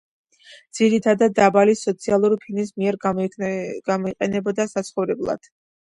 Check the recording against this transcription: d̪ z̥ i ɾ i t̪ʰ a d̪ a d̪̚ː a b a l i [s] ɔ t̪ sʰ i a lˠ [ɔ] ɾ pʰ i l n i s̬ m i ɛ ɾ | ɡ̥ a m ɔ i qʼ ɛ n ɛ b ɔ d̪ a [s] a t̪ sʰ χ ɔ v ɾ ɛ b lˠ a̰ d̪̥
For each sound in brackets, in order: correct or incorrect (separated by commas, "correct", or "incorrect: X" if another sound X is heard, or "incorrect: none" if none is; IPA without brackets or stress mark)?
correct, incorrect: u, correct